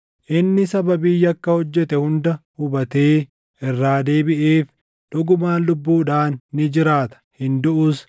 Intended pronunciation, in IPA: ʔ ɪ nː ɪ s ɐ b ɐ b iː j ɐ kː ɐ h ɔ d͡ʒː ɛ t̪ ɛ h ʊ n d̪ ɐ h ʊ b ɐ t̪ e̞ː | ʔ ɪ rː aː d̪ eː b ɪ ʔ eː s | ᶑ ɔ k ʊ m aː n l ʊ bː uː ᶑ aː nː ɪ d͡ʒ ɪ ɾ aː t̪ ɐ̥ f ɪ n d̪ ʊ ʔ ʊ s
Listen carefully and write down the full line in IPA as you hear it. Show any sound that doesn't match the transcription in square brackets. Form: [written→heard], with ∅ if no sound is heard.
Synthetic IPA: ʔ ɪ nː ɪ s ɐ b ɐ b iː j ɐ kː ɐ h ɔ d͡ʒː ɛ t̪ ɛ h ʊ n d̪ ɐ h ʊ b ɐ t̪ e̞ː | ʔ ɪ rː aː d̪ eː b ɪ ʔ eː [s→f] | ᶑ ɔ [k→ɡ] ʊ m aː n l ʊ bː uː ᶑ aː nː ɪ d͡ʒ ɪ ɾ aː t̪ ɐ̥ [f→h] ɪ n d̪ ʊ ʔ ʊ s

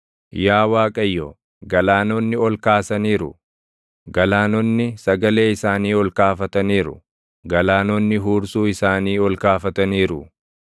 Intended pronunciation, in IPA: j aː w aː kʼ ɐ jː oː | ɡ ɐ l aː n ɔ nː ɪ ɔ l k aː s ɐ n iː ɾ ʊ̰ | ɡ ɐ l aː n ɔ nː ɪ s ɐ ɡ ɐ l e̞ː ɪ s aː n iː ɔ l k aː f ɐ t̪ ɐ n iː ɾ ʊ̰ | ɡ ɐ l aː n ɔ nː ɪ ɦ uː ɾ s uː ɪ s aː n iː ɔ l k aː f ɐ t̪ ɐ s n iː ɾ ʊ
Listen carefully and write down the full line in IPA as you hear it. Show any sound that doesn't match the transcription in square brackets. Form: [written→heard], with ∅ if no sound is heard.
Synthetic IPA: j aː w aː kʼ ɐ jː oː | ɡ ɐ l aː n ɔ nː ɪ ɔ l k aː s ɐ n iː ɾ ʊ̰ | ɡ ɐ l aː n ɔ nː ɪ s ɐ ɡ ɐ l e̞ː ɪ s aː n iː ɔ l k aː f ɐ t̪ ɐ n iː ɾ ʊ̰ | ɡ ɐ l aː n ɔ nː ɪ ɦ uː ɾ s uː ɪ s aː n iː ɔ l k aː f ɐ t̪ ɐ [s→∅] n iː ɾ ʊ

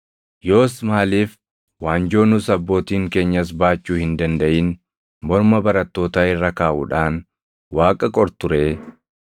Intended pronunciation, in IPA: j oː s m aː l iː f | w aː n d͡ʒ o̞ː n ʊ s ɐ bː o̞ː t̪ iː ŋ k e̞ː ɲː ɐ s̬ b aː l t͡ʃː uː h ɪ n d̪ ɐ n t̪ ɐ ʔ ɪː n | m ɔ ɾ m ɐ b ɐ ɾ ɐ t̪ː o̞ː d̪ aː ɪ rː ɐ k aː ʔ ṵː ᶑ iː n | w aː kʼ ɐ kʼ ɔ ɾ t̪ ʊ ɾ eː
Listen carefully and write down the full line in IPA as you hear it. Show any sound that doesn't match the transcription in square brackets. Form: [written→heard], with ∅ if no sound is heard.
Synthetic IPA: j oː s m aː l iː f | w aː n d͡ʒ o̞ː n ʊ s ɐ bː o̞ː t̪ iː ŋ k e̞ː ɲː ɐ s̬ b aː [l→∅] t͡ʃː uː h ɪ n d̪ ɐ n [t̪→d̪] ɐ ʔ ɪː n | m ɔ ɾ m ɐ b ɐ ɾ ɐ t̪ː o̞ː [d̪→t̪] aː ɪ rː ɐ k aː ʔ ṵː ᶑ [iː→aː] n | w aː kʼ ɐ kʼ ɔ ɾ t̪ ʊ ɾ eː

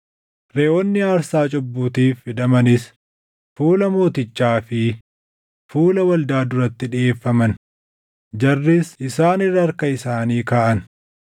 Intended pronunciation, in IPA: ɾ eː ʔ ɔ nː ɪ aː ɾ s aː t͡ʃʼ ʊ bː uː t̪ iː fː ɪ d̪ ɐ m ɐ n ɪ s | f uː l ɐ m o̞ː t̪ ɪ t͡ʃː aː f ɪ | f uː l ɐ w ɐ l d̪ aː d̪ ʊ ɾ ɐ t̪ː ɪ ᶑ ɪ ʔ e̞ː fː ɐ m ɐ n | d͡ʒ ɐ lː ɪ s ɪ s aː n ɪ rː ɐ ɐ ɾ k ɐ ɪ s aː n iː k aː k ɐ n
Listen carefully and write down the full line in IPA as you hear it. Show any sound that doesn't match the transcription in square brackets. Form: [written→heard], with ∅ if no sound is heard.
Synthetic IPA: ɾ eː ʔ ɔ nː ɪ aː ɾ s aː t͡ʃʼ ʊ bː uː t̪ iː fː ɪ d̪ ɐ m ɐ n ɪ s | f uː l ɐ m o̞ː t̪ ɪ t͡ʃː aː f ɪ | f uː l ɐ w ɐ l d̪ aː d̪ ʊ ɾ ɐ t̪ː ɪ ᶑ ɪ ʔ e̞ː fː ɐ m ɐ n | d͡ʒ ɐ [lː→rː] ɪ s ɪ s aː n ɪ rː ɐ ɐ ɾ k ɐ ɪ s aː n iː k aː [k→ʔ] ɐ n

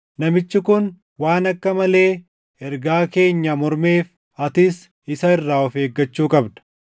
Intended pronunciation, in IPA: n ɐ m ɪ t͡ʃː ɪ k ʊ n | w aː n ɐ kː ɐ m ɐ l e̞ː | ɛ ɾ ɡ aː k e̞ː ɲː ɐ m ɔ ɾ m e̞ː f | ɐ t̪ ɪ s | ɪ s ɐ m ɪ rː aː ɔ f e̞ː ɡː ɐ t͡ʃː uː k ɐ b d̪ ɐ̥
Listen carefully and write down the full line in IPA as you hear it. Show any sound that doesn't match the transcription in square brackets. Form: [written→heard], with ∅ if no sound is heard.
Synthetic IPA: n ɐ m ɪ t͡ʃː ɪ k ʊ n | w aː n ɐ kː ɐ m ɐ l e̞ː | ɛ ɾ ɡ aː k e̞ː ɲː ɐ m ɔ ɾ m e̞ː f | ɐ t̪ ɪ s | ɪ s ɐ [m→∅] ɪ rː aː ɔ f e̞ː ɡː ɐ t͡ʃː uː [k→kʼ] ɐ b d̪ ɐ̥

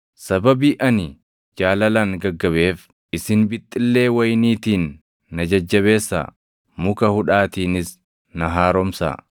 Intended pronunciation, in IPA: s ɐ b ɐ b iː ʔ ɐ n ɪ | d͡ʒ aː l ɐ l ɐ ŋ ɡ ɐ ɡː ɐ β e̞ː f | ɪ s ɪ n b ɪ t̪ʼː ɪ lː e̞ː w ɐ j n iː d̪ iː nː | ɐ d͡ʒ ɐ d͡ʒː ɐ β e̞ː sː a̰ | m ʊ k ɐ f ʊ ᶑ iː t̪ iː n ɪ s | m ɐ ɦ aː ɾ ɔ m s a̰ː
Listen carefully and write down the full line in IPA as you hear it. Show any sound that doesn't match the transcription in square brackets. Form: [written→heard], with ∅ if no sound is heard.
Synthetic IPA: s ɐ b ɐ b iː ʔ ɐ n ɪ | d͡ʒ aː l ɐ l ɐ ŋ ɡ ɐ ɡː ɐ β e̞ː f | ɪ s ɪ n b ɪ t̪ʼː ɪ lː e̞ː w ɐ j n iː [d̪→t̪] iː nː | ɐ d͡ʒ ɐ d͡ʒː ɐ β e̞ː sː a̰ | m ʊ k ɐ [f→h] ʊ ᶑ [iː→aː] t̪ iː n ɪ s | [m→n] ɐ ɦ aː ɾ ɔ m s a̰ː

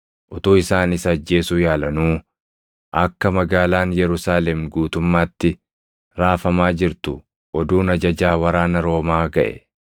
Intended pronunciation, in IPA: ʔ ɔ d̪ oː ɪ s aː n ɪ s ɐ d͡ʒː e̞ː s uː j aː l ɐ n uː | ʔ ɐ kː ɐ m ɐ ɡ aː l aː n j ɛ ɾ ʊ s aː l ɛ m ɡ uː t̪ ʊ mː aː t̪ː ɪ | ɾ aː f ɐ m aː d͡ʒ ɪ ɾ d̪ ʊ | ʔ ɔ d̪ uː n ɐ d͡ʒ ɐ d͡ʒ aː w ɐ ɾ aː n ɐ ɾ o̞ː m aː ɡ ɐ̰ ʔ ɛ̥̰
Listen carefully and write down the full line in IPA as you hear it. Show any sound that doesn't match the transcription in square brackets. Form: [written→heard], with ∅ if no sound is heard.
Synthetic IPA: ʔ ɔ [d̪→t̪] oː ɪ s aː n ɪ s ɐ d͡ʒː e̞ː s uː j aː l ɐ n uː | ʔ ɐ kː ɐ m ɐ ɡ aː l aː n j ɛ ɾ ʊ s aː l ɛ m ɡ uː t̪ ʊ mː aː t̪ː ɪ | ɾ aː f ɐ m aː d͡ʒ ɪ ɾ [d̪→t̪] ʊ | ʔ ɔ d̪ uː n ɐ d͡ʒ ɐ d͡ʒ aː w ɐ ɾ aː n ɐ ɾ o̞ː m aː ɡ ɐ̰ ʔ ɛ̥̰

